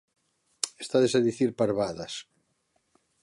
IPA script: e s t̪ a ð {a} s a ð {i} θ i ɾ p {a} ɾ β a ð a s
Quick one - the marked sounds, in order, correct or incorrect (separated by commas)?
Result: incorrect, correct, correct